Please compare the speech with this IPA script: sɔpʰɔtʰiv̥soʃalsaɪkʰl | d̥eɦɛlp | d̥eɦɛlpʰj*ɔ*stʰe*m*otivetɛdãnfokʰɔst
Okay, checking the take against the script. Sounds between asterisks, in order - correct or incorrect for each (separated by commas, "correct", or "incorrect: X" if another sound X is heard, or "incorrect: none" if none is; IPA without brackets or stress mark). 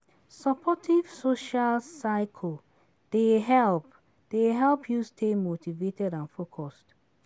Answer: incorrect: u, correct